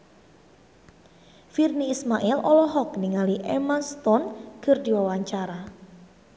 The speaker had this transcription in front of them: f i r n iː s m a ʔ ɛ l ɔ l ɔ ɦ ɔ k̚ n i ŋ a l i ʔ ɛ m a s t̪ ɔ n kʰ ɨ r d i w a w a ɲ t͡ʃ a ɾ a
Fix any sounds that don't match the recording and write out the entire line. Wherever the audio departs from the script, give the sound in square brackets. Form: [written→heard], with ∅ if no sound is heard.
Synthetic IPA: f i r n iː s m a ʔ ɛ l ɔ l ɔ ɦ ɔ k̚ n i ŋ a l i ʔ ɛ m a s t̪ ɔ n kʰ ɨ r d i w a w a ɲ t͡ʃ a ɾ a